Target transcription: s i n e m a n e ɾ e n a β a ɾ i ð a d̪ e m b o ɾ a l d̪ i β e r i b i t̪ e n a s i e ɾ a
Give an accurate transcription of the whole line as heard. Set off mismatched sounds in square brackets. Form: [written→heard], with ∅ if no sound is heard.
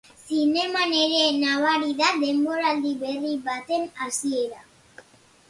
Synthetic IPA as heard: s i n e m a n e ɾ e n a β a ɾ i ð a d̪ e m b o ɾ a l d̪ i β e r i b [i→a] t̪ e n a s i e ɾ a